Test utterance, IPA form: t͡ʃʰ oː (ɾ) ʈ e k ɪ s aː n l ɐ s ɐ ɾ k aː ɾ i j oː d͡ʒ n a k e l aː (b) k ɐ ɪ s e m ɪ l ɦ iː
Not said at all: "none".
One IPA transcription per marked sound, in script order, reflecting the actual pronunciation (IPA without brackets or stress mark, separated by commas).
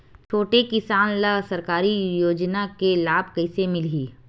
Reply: none, b